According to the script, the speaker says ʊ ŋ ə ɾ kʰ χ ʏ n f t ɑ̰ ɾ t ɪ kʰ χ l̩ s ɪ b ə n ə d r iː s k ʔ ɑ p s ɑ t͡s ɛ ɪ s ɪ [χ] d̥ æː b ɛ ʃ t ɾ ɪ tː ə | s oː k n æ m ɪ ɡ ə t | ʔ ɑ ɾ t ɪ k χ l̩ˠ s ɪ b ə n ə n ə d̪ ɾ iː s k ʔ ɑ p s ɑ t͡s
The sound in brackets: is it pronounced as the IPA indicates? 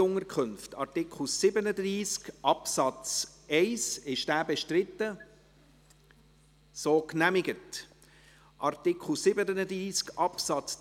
no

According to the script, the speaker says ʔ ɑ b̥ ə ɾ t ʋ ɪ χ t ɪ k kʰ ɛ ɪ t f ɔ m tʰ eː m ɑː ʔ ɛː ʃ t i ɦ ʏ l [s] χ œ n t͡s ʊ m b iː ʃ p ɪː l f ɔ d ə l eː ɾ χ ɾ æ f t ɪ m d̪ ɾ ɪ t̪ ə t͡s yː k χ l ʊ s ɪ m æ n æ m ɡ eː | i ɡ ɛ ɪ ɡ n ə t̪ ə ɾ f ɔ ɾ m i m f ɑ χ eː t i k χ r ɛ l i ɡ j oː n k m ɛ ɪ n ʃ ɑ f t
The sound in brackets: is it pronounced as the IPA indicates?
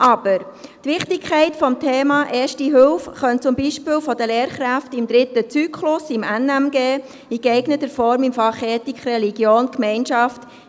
no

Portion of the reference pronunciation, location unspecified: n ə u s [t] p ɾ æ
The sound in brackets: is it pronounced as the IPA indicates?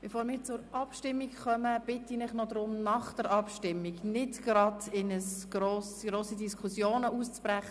no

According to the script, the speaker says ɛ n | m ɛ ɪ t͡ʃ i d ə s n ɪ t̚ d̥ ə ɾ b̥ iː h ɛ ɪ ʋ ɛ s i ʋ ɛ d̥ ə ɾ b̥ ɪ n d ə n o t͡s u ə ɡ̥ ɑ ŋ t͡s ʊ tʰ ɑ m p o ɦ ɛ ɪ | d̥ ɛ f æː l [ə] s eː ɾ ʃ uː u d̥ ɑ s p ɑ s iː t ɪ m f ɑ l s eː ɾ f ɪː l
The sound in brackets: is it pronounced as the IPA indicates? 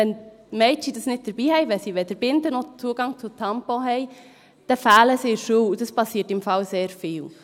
yes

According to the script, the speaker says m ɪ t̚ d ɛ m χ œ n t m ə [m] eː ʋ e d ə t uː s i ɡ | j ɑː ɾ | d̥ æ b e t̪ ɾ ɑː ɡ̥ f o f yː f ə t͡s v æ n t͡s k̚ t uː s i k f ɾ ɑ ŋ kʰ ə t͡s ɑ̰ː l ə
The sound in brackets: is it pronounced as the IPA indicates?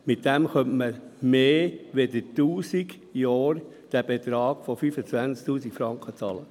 yes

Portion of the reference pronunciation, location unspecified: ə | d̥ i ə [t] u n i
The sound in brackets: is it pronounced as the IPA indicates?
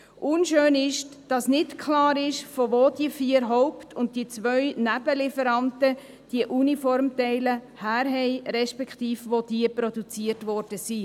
no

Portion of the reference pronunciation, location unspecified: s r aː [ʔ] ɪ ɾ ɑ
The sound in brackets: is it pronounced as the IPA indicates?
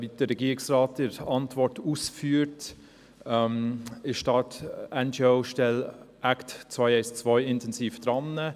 no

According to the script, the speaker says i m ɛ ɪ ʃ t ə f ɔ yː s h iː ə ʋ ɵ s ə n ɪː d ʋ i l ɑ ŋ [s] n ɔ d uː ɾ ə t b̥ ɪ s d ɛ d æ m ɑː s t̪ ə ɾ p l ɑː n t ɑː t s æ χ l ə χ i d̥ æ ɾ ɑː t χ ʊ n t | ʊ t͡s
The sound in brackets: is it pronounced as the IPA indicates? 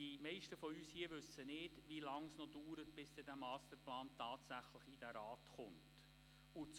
yes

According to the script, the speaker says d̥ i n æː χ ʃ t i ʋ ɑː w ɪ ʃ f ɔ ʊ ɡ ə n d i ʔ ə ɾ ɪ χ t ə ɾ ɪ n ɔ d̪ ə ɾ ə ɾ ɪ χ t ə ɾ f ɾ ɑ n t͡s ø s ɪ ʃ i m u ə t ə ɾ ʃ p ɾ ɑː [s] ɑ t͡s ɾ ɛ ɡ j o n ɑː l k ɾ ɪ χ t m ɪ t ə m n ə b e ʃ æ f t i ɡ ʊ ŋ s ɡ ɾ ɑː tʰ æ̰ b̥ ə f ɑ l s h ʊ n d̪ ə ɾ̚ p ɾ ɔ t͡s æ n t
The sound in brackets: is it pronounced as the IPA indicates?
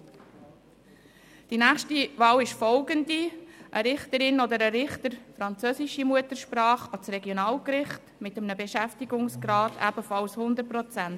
no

